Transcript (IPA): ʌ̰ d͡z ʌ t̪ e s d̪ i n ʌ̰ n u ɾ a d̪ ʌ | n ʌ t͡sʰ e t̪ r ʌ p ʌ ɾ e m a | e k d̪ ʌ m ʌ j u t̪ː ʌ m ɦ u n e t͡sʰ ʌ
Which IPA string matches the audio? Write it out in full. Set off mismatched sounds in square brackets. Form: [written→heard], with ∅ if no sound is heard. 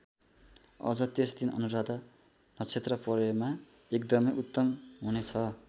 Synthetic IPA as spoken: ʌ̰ d͡z ʌ t̪ e s d̪ i n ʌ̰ n u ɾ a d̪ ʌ | n ʌ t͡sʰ e t̪ r ʌ p ʌ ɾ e m a | e k d̪ ʌ m ʌ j u t̪ː ʌ m ɦ u n e t͡sʰ ʌ